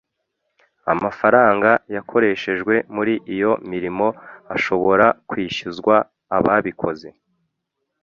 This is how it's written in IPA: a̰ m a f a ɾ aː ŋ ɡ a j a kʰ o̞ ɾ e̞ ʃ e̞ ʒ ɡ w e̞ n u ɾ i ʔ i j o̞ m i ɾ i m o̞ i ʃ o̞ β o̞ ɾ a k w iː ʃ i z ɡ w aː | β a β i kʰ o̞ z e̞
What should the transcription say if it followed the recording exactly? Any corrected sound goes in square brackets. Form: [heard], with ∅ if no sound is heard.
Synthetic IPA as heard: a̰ m a f a ɾ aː ŋ ɡ a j a kʰ o̞ ɾ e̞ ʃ e̞ ʒ ɡ w e̞ [m] u ɾ i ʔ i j o̞ m i ɾ i m o̞ [a] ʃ o̞ β o̞ ɾ a k w iː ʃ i z ɡ w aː | β a β i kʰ o̞ z e̞